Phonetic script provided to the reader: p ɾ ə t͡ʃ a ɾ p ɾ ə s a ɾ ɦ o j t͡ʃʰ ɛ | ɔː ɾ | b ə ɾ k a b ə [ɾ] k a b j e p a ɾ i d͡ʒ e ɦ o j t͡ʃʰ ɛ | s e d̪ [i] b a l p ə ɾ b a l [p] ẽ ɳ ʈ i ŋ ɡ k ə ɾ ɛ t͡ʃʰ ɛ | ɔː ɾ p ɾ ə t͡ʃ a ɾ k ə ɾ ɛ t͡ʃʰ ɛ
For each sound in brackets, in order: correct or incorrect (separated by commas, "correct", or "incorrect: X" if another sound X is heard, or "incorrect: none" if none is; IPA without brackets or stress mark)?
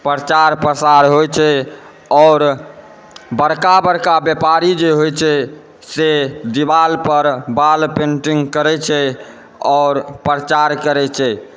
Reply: correct, correct, correct